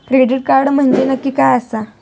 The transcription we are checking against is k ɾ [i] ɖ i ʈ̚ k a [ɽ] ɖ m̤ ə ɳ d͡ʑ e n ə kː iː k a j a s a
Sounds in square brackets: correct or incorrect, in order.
incorrect: e, incorrect: ɾ

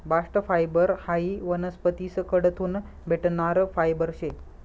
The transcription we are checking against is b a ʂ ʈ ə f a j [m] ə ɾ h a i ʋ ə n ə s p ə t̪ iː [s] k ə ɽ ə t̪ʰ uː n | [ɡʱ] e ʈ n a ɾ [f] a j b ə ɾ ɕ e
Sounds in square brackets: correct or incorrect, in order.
incorrect: b, correct, incorrect: bʱ, correct

